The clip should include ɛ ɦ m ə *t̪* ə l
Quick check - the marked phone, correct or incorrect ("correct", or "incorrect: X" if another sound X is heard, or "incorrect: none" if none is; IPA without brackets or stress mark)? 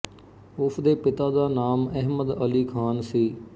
incorrect: d̪